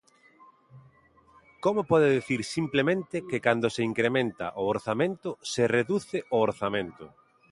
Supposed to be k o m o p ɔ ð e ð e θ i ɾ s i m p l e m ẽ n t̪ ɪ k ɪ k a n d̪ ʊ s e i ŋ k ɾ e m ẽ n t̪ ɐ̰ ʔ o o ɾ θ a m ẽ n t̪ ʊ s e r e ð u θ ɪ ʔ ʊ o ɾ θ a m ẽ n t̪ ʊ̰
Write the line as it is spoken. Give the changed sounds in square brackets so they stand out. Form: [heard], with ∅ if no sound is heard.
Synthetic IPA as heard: k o m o p ɔ ð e ð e θ i ɾ s i m p l e m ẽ n t̪ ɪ k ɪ k a n d̪ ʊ s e i ŋ k ɾ e m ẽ n t̪ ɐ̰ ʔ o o ɾ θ a m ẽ n t̪ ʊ s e r e ð u θ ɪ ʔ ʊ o ɾ θ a m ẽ n t̪ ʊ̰